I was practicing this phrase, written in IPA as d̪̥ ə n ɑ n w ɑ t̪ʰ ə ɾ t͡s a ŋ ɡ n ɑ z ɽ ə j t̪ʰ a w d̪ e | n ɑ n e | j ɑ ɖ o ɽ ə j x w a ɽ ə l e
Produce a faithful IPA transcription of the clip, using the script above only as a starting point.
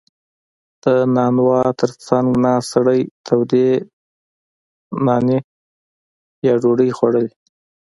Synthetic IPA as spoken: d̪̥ ə n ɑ n w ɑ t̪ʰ ə ɾ t͡s a ŋ ɡ n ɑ s ɽ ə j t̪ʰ a w d̪ e | n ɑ n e | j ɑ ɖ o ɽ ə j x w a ɽ ə l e